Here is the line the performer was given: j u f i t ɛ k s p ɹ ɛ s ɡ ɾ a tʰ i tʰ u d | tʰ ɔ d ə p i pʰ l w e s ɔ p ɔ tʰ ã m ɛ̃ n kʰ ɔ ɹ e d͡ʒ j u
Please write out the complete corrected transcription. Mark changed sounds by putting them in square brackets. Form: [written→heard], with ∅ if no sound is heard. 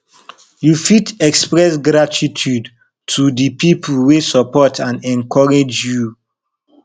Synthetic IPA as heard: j u f i t ɛ k s p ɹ ɛ s ɡ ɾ a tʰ i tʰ u d | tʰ [ɔ→u] d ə p i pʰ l w e s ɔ p ɔ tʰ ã [m→n] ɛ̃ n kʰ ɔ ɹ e d͡ʒ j u

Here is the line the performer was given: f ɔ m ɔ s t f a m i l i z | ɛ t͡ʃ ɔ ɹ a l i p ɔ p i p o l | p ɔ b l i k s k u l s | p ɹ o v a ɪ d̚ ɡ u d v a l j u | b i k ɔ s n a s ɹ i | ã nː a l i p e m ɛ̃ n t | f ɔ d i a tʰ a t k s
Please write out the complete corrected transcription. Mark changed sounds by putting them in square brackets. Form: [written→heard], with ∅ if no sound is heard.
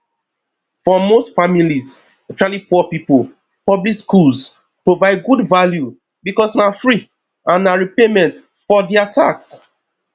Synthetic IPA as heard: f ɔ m [ɔ→o] s t f a m i l i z | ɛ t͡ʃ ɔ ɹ a l i p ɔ p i p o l | p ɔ b l i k s k u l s | p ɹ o v a ɪ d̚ ɡ u d v a l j u | b i k ɔ s n a [s→f] ɹ i | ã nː a [l→ɹ] i p e m ɛ̃ n t | f ɔ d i a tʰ a [t→∅] k s

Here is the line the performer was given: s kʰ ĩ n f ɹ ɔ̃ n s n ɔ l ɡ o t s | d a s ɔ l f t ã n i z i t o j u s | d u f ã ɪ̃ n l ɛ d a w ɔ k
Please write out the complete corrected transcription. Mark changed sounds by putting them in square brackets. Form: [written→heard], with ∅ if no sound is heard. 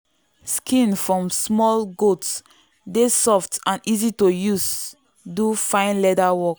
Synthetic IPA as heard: s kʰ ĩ n f ɹ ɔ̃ [n→m] s [n→m] ɔ l ɡ o t s | d [a→e] s ɔ [l→∅] f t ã n i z i t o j u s | d u f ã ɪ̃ n l ɛ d a w ɔ k

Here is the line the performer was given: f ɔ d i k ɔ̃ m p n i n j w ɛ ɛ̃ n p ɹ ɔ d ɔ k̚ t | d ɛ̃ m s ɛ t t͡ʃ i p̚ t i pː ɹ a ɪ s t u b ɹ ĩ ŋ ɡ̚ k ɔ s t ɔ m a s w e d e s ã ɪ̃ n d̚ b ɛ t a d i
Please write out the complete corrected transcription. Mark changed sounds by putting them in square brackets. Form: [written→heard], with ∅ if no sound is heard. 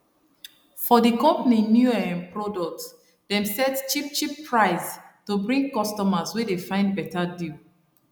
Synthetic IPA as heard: f ɔ d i k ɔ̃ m p n i n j [w→u] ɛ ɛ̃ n p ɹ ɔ d ɔ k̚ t | d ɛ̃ m s ɛ t t͡ʃ i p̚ [t→t͡ʃ] i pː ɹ a ɪ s t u b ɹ ĩ ŋ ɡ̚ k ɔ s t ɔ m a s w e d e [s→f] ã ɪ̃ n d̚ b ɛ t a d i

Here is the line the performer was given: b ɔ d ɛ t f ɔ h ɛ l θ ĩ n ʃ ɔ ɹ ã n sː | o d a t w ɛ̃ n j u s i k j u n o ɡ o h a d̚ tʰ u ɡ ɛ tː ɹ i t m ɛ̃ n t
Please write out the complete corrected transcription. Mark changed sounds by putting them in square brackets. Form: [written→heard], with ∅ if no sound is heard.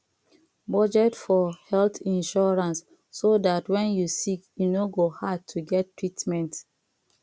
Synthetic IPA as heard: b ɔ [d→d͡ʒ] ɛ t f ɔ h ɛ l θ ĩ n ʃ ɔ ɹ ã n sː | o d a t w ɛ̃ n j u s i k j u n o ɡ o h a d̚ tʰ u ɡ ɛ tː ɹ i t m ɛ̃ n t

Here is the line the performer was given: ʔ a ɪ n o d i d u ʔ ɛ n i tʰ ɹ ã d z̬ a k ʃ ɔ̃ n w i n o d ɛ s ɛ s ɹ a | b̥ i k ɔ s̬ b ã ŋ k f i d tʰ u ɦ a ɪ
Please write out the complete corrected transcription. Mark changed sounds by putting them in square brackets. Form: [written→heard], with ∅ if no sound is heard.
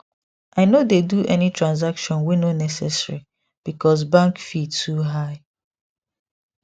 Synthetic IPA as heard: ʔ a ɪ n o d [i→e] d u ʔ ɛ n i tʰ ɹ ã [d→n] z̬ a k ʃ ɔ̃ n w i n o [d→n] ɛ s ɛ s ɹ [a→i] | b̥ i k ɔ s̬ b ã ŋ k f i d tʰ u ɦ a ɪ

